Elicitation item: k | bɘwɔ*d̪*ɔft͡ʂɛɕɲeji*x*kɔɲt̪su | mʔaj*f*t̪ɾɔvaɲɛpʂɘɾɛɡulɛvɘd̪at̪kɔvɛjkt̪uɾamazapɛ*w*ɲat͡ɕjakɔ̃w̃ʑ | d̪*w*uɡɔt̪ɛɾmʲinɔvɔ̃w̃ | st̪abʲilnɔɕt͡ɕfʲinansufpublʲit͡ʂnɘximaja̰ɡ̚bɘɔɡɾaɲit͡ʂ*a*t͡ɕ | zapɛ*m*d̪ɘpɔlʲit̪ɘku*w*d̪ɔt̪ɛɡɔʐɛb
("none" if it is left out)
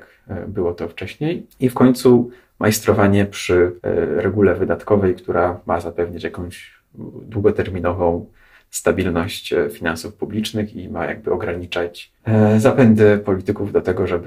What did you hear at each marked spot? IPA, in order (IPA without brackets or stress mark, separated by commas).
t̪, f, s, v, w, a, n, v